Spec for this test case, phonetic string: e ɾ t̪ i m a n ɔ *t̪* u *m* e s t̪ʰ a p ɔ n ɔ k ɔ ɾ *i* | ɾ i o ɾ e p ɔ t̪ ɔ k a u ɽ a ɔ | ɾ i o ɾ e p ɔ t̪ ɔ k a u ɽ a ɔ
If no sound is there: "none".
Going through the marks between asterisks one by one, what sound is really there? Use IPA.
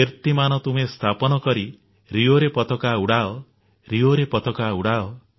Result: t̪, m, i

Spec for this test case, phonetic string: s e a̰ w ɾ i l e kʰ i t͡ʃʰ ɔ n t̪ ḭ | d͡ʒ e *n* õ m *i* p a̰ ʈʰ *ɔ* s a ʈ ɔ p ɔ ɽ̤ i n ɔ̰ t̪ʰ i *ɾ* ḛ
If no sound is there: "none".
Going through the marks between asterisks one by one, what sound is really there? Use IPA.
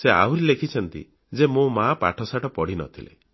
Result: m, a, ɔ, l

